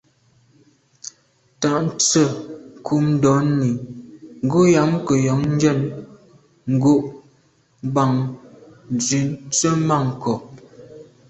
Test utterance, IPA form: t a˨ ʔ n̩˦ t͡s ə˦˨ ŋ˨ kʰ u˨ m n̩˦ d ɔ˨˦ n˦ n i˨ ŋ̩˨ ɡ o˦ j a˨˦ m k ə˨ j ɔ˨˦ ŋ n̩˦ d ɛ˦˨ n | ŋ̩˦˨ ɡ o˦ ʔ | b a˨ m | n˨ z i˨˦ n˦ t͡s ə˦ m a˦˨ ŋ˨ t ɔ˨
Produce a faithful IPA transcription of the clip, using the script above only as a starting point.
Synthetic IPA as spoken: t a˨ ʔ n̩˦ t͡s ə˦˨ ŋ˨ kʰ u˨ m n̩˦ d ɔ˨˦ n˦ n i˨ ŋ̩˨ ɡ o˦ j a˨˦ m k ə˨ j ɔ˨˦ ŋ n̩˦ d͡ʒ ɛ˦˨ n | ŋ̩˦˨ ɡ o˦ ʔ | b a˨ ŋ | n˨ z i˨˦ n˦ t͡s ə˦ m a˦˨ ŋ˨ k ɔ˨

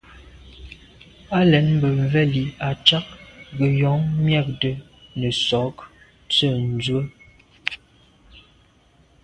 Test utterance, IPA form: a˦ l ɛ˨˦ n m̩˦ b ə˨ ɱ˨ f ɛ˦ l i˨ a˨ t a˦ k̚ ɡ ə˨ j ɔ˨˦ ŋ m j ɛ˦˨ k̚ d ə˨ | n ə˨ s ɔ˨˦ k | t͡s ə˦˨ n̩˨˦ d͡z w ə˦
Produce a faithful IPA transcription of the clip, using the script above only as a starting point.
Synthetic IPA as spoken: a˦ l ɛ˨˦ n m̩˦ b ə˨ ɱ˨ v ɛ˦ l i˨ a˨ t͡ʃ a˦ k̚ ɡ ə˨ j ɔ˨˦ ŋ m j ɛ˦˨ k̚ d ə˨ | n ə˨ s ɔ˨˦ k | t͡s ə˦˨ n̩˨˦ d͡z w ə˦

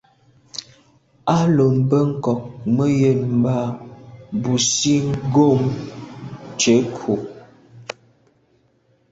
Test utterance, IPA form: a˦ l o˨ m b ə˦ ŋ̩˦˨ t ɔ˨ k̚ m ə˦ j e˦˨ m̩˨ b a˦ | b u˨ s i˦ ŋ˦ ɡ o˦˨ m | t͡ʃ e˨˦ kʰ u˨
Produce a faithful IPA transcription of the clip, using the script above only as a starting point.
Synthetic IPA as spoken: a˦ l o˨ m b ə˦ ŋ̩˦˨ k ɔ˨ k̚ m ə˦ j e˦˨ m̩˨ b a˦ | b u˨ s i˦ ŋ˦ ɡ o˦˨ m | t͡ʃ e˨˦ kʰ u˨

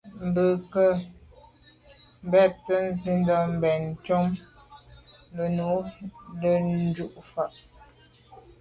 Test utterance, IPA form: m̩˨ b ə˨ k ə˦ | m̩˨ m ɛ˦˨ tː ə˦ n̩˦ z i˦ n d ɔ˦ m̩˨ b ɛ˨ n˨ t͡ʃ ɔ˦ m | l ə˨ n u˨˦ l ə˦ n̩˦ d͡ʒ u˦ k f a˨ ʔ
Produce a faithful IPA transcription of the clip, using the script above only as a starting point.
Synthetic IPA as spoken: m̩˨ b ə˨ k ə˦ | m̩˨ b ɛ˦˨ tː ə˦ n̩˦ z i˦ n d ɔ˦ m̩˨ b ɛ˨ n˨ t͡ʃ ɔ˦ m | l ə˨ n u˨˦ l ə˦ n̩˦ d͡ʒ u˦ ʔ f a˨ ʔ

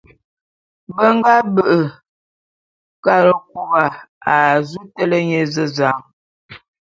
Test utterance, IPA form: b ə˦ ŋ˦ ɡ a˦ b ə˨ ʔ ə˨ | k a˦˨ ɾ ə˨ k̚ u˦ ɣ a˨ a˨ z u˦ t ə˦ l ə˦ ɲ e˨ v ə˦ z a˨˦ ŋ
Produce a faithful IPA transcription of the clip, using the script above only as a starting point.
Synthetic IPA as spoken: b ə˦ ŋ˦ ɡ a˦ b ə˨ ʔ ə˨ | k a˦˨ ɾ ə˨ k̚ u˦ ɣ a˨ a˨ z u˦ t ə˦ l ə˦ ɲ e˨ z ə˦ z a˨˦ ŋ

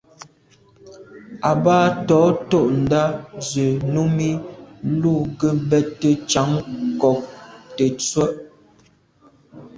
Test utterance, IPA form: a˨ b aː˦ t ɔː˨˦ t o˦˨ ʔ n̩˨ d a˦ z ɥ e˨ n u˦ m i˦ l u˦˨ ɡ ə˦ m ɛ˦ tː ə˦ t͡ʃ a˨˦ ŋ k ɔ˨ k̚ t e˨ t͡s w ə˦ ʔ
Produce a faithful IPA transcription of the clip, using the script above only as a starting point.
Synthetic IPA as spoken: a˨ b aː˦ t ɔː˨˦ t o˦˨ ʔ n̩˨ d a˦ z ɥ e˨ n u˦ m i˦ l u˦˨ ɡ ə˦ b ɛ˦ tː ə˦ t͡ʃ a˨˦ ŋ k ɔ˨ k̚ t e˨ t͡s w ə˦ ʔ

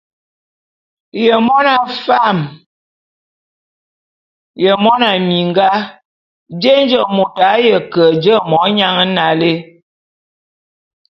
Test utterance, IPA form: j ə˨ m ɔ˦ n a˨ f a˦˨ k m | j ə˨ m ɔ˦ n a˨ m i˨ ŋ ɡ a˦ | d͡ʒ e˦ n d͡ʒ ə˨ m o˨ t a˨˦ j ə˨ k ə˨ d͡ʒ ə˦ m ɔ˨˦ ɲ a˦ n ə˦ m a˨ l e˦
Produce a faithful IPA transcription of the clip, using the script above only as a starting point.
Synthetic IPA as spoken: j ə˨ m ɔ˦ n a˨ f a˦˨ m | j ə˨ m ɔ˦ n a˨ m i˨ ŋ ɡ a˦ | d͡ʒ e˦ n d͡ʒ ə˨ m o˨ t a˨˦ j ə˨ k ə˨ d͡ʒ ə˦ m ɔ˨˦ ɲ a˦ ŋ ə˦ n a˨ l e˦

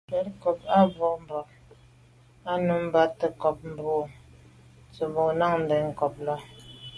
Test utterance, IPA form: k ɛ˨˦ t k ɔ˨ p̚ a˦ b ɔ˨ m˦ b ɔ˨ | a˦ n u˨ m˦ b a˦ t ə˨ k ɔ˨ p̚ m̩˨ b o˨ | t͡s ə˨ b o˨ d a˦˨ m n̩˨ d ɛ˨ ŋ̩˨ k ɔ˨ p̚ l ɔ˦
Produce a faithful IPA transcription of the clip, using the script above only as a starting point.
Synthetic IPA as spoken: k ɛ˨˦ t k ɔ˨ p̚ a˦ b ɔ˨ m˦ b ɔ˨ | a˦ n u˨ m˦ b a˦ t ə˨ k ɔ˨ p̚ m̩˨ b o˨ | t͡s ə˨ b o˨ n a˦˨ ŋ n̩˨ d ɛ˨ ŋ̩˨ k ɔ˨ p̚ l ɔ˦

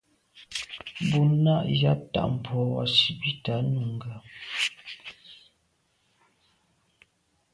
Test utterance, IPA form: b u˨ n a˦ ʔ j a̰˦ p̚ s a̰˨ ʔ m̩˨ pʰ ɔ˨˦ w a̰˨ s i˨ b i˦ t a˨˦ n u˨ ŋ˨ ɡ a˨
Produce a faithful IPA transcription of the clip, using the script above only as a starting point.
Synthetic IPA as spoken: b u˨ n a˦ ʔ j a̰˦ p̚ t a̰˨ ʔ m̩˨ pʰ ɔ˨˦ w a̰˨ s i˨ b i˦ t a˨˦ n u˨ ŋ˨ ɡ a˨

